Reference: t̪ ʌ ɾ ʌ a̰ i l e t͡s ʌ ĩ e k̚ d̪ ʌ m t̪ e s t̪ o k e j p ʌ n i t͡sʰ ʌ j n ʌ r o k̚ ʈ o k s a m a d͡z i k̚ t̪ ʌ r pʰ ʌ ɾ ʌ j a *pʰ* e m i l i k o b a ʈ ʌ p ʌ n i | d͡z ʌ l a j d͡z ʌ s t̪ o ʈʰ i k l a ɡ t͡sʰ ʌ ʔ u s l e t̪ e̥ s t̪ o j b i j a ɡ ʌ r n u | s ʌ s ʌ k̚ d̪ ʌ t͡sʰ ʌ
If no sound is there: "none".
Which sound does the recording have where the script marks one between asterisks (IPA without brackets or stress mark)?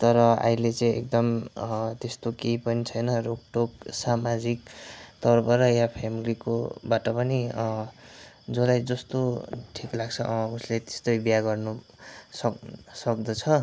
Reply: pʰ